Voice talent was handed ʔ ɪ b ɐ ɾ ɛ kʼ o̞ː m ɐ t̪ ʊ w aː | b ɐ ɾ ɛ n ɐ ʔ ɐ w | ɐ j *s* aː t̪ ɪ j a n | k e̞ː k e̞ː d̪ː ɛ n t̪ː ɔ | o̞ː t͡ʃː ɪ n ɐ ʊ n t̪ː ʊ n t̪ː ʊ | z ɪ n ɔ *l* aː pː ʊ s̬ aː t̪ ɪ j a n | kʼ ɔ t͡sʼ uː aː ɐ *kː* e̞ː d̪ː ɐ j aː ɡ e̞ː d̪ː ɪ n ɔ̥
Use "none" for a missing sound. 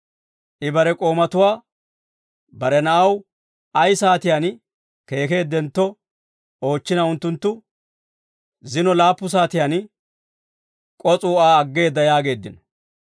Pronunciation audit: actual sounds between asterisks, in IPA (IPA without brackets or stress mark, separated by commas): s, l, ɡː